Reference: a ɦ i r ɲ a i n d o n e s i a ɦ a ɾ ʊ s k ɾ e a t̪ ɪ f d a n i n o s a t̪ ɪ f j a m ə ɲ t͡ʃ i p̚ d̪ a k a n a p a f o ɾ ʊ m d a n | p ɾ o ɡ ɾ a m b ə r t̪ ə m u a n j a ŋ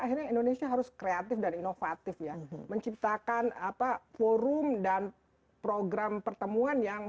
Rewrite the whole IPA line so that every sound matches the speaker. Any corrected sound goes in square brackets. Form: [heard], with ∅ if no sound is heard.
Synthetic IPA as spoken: a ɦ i r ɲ a i n d o n e s i a ɦ a ɾ ʊ s k ɾ e a t̪ ɪ f d a n i n o [f] a t̪ ɪ f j a m ə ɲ t͡ʃ i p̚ [t̪] a k a n a p a f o ɾ ʊ m d a n | p ɾ o ɡ ɾ a m [p] ə r t̪ ə m u a n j a ŋ